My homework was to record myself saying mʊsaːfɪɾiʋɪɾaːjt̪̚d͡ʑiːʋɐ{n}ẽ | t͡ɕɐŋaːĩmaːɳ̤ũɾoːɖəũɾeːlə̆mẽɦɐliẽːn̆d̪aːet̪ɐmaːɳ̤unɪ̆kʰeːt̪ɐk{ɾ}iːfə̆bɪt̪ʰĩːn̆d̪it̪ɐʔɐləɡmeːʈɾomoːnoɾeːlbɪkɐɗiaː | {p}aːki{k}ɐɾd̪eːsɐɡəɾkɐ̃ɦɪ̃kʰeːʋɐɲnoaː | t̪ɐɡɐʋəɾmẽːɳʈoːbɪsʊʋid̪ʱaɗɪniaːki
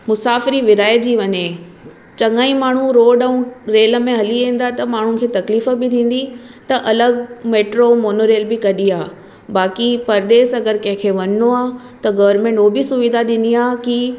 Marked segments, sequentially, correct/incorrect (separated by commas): incorrect, incorrect, incorrect, incorrect